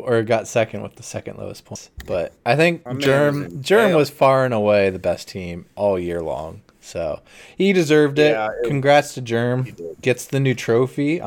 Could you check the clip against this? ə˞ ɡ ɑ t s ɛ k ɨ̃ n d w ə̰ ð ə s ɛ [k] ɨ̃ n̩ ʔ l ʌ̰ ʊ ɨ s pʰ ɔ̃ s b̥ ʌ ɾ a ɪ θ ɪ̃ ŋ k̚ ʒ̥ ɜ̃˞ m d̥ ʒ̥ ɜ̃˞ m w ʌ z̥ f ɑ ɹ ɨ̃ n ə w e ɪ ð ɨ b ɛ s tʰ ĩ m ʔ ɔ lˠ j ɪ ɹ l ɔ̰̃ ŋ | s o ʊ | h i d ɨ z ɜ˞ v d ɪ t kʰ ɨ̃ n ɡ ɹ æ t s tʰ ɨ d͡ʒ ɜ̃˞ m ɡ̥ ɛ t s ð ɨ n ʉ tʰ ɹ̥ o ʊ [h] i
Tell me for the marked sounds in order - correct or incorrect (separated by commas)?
correct, incorrect